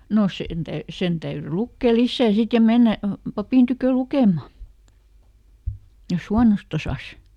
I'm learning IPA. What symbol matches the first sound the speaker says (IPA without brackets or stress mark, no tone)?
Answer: n